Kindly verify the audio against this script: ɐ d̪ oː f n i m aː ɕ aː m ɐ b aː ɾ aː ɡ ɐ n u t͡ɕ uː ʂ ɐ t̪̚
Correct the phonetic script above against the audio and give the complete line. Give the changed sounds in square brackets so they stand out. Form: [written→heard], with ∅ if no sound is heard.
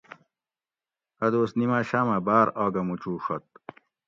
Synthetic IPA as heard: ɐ d̪ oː [f→s] n i m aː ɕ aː m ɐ b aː ɾ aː ɡ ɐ [n→m] u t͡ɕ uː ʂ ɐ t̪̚